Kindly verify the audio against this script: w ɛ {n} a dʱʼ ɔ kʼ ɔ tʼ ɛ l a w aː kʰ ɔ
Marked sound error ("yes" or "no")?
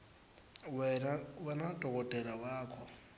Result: no